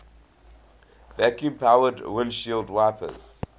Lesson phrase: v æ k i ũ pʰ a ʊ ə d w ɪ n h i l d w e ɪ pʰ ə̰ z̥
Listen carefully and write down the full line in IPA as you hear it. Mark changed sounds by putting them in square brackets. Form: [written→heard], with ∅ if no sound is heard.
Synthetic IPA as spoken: v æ k [i→j] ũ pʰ a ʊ ə d w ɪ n [h→ʃ] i l d w [e→a] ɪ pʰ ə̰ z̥